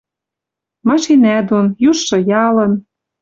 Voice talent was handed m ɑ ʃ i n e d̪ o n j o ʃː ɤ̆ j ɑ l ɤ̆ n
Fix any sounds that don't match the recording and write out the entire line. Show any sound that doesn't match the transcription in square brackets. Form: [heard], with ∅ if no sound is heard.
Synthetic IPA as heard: m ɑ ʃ i n [æ] d̪ o n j [u] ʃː ɤ̆ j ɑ l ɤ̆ n